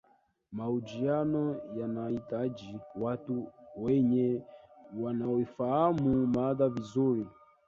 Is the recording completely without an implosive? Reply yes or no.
yes